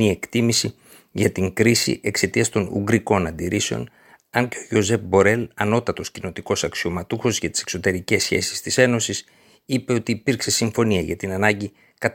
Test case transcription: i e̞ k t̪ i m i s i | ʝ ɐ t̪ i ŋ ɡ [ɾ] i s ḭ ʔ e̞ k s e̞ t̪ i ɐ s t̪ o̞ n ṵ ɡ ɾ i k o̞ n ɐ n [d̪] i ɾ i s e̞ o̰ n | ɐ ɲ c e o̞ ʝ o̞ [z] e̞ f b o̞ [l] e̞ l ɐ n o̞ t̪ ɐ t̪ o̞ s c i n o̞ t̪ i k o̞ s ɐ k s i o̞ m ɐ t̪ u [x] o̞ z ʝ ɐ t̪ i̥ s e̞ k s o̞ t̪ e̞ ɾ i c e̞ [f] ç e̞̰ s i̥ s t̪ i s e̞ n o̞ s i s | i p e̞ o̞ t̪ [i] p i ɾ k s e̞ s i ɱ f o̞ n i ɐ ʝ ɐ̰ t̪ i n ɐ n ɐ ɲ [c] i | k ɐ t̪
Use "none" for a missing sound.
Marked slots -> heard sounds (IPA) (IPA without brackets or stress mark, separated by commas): ɾ, d̪, z, ɾ, x, s, iː, ɟ